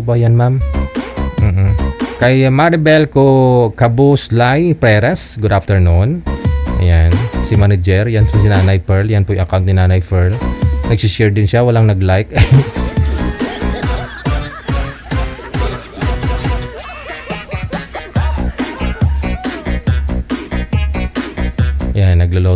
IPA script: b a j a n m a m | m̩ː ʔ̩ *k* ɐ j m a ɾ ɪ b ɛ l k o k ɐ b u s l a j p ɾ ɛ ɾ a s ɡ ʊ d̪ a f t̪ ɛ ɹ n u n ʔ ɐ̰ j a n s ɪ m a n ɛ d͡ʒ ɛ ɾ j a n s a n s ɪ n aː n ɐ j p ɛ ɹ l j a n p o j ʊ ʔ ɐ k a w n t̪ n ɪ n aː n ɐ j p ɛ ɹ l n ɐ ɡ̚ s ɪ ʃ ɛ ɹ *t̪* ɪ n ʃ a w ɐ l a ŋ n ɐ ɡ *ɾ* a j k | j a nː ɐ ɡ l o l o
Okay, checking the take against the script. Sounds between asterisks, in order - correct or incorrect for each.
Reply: correct, incorrect: d̪, incorrect: l

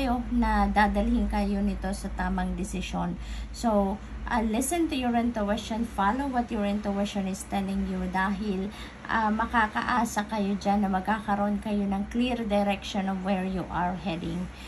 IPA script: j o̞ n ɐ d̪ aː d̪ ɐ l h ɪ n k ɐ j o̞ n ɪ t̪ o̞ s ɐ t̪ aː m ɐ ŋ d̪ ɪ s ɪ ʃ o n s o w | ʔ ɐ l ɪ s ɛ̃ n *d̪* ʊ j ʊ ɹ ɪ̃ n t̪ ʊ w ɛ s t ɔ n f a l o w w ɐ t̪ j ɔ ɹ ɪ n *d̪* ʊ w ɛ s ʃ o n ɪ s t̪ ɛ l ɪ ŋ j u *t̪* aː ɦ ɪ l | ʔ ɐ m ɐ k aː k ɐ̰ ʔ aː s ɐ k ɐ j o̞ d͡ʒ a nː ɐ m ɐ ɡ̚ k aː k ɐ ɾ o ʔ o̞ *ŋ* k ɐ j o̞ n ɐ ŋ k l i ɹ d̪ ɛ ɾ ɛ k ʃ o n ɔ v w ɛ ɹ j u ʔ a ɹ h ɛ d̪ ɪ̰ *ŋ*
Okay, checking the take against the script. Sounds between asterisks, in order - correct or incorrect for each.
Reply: incorrect: t̪, incorrect: t̪, incorrect: d̪, incorrect: n, correct

